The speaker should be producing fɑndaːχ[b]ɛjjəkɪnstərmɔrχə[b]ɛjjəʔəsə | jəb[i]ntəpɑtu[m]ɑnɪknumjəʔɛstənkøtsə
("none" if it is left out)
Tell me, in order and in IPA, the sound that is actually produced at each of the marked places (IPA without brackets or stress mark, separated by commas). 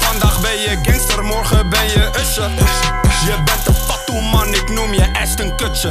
b, b, ɛ, m